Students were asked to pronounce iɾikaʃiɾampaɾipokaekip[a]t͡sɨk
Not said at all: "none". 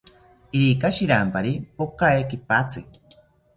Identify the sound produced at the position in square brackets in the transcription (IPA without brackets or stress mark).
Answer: a